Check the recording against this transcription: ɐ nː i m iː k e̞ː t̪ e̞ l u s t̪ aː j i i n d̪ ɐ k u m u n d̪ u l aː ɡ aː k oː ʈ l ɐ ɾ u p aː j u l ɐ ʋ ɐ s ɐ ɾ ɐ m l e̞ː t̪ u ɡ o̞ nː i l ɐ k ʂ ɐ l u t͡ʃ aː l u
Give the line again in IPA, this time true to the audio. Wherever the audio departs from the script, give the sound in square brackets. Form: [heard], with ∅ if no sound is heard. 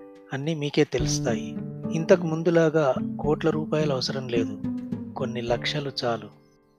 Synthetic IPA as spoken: ɐ nː i m iː k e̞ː t̪ e̞ l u s t̪ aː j i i n [t̪] ɐ k u m u n d̪ u l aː ɡ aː k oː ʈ l ɐ ɾ [uː] p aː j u l ɐ ʋ ɐ s ɐ ɾ ɐ m l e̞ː [d̪] u [k] o̞ nː i l ɐ k ʂ ɐ l u t͡ʃ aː l u